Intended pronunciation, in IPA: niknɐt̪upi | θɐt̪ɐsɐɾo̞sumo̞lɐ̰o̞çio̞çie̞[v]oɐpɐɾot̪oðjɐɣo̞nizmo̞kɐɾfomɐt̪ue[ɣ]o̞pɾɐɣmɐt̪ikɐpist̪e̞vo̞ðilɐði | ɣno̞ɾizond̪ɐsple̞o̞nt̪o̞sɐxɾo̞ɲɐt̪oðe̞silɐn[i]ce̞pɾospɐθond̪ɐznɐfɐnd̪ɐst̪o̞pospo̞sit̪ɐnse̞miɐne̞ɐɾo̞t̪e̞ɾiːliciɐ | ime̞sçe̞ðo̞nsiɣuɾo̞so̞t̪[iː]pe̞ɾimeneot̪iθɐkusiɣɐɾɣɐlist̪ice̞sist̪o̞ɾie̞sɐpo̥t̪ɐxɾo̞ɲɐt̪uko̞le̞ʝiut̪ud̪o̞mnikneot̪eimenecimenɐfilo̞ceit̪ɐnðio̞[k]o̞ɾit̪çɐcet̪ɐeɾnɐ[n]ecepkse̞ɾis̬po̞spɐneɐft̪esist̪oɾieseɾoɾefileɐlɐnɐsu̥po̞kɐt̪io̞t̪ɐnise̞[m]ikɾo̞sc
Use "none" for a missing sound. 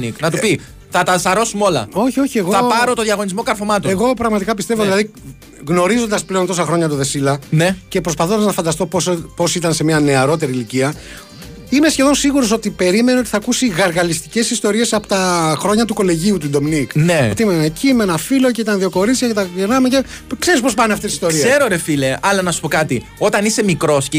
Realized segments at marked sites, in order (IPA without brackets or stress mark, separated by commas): ɣ, ɣ, e, i, k, m, m